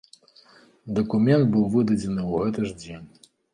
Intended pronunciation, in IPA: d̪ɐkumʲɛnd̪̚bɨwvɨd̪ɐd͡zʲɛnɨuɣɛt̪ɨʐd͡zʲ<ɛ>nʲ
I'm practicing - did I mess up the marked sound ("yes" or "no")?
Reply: yes